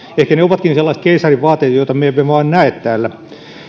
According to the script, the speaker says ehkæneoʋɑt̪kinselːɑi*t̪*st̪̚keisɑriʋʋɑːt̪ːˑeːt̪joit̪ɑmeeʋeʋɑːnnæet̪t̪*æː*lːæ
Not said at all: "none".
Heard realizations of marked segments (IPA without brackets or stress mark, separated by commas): none, æː